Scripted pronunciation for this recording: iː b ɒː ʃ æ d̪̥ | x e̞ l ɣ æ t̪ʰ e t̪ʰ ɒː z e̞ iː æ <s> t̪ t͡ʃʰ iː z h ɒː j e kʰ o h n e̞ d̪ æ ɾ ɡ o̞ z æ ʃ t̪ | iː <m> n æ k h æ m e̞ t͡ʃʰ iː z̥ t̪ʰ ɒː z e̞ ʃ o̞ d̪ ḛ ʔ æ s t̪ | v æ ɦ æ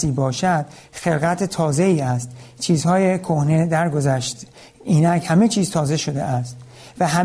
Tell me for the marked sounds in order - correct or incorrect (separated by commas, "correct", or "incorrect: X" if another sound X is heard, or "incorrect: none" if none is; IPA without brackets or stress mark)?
correct, incorrect: none